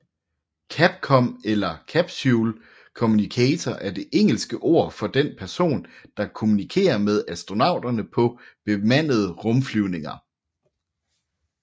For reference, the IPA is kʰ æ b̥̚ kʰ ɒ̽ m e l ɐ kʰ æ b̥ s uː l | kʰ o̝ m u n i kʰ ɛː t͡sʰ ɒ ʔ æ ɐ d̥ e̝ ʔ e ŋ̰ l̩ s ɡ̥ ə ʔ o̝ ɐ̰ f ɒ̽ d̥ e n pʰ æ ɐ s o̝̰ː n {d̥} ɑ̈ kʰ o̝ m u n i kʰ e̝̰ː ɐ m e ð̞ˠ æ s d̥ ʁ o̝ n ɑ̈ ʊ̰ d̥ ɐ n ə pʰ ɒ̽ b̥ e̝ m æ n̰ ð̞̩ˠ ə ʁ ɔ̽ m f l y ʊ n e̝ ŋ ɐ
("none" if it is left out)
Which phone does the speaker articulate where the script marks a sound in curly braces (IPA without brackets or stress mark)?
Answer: d̥